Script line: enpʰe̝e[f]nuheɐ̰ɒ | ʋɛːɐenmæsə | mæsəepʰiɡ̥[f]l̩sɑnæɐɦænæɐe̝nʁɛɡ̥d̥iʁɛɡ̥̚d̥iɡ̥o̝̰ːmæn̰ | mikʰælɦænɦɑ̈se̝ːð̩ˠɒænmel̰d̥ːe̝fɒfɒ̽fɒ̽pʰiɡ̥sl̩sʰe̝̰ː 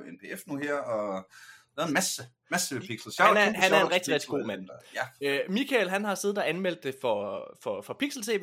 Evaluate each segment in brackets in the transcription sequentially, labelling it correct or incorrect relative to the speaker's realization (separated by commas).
correct, incorrect